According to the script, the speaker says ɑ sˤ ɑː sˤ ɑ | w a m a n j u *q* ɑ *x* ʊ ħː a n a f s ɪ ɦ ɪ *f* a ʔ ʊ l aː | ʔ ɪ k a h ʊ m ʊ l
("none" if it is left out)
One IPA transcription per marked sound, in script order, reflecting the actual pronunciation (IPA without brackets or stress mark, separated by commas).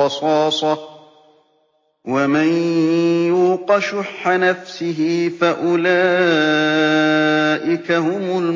q, ʃ, f